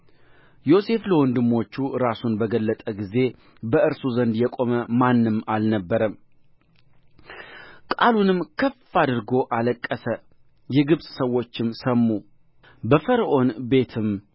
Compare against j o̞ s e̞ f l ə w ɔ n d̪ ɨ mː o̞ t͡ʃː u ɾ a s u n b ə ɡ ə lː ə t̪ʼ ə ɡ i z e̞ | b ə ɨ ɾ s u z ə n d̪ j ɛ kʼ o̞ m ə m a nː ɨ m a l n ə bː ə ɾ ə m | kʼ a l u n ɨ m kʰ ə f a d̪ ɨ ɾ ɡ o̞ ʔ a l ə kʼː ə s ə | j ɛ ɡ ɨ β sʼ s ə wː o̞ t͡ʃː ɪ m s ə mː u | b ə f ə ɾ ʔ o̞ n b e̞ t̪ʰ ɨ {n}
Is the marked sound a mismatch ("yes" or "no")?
yes